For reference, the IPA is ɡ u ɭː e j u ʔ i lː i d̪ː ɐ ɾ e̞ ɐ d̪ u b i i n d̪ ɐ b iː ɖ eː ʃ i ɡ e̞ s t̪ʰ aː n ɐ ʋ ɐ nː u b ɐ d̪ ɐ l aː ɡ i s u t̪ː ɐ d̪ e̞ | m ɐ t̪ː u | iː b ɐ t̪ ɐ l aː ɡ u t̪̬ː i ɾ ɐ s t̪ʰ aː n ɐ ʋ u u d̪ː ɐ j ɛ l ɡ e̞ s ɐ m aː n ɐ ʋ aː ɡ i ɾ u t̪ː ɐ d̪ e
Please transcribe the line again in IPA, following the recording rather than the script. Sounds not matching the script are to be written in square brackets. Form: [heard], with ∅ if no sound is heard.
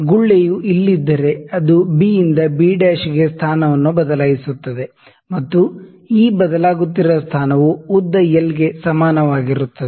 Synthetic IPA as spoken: ɡ u ɭː e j u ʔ i lː i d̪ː ɐ ɾ e̞ ɐ d̪ u b i i n d̪ ɐ b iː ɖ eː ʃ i ɡ e̞ s t̪ʰ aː n ɐ ʋ ɐ nː u b ɐ d̪ ɐ l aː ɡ i s u t̪ː ɐ d̪ e̞ | m ɐ t̪ː u | iː b ɐ [d̪] ɐ l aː ɡ u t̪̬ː i ɾ ɐ s t̪ʰ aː n ɐ ʋ u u d̪ː ɐ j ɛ l ɡ e̞ s ɐ m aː n ɐ ʋ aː ɡ i ɾ u t̪ː ɐ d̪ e